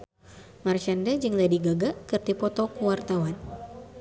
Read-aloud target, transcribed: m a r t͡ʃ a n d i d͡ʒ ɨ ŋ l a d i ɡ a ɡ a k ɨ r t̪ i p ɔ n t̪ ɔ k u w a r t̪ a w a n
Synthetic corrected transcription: m a r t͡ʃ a n d a d͡ʒ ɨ ŋ l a d i ɡ a ɡ a k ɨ r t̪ i p ɔ t̪ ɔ k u w a r t̪ a w a n